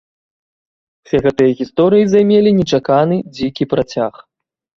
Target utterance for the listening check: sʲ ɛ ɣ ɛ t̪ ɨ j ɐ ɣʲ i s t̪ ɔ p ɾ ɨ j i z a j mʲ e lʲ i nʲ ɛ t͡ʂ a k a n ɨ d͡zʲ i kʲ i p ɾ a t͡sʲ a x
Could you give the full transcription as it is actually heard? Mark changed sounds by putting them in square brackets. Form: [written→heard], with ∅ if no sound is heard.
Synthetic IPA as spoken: sʲ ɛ ɣ ɛ t̪ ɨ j ɐ ɣʲ i s t̪ ɔ [p→∅] ɾ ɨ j i z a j mʲ e lʲ i nʲ ɛ t͡ʂ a k a n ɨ d͡zʲ i kʲ i p ɾ a t͡sʲ a x